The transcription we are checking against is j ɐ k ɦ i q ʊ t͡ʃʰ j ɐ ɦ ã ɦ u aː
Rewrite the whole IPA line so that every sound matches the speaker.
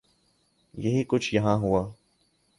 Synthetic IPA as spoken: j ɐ ɦ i k ʊ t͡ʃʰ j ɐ ɦ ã ɦ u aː